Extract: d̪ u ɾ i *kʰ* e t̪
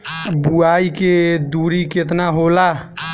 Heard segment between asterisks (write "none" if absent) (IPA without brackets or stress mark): k